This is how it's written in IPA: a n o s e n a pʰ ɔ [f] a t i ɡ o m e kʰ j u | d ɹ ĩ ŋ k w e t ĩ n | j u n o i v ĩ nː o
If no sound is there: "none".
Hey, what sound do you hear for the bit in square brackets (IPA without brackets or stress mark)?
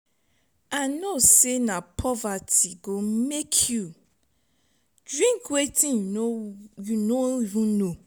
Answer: v